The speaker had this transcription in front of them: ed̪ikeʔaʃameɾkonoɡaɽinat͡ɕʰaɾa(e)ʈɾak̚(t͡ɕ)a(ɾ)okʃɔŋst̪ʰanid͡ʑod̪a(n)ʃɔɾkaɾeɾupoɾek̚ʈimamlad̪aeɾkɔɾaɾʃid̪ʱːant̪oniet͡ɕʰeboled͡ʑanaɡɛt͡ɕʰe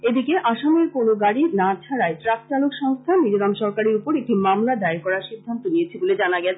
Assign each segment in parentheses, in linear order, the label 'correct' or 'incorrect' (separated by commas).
correct, correct, incorrect, incorrect